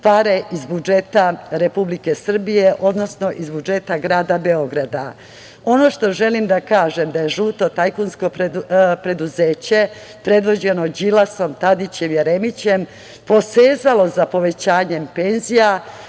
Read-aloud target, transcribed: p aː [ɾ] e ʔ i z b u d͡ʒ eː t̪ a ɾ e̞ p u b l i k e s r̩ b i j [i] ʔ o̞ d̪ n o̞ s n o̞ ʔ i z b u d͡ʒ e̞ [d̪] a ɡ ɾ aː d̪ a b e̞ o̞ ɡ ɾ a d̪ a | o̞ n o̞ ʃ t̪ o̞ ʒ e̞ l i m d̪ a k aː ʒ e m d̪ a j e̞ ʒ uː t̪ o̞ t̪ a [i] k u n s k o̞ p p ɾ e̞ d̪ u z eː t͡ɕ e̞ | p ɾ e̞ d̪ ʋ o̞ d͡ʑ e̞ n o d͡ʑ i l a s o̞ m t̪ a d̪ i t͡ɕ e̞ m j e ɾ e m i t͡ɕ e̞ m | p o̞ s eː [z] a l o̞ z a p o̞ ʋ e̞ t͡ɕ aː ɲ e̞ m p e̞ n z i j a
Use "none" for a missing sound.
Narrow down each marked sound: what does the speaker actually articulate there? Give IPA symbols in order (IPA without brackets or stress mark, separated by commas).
ɾ, e, t̪, j, z